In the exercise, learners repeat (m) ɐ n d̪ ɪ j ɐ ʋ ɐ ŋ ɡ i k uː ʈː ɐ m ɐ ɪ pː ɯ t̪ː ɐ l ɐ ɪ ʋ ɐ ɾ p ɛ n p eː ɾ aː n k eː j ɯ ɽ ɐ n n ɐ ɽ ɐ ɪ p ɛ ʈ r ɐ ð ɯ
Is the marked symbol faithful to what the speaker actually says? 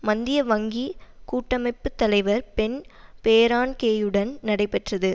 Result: yes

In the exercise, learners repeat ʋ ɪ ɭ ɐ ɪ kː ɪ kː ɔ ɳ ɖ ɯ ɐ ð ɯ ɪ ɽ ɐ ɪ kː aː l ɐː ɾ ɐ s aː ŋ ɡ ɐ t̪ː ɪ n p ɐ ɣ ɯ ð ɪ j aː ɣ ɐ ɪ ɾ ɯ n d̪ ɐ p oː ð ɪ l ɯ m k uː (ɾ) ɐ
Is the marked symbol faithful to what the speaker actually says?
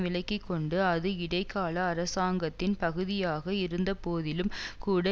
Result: no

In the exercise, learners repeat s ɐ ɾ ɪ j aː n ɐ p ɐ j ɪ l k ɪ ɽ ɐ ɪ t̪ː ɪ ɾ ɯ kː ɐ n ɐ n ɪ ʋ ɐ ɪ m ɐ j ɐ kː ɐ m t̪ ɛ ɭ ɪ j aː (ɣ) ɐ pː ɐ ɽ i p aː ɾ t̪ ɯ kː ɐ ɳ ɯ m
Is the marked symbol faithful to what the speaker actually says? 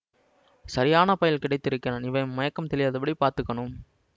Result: no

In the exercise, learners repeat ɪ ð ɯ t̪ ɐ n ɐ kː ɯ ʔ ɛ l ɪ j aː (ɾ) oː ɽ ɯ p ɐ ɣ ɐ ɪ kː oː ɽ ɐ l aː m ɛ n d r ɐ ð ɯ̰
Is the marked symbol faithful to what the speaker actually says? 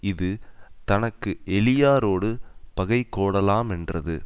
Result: yes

